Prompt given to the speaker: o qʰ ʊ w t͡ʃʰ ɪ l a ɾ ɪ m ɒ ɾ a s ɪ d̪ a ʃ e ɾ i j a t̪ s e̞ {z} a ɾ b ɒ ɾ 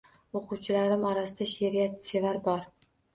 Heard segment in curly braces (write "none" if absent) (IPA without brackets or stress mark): v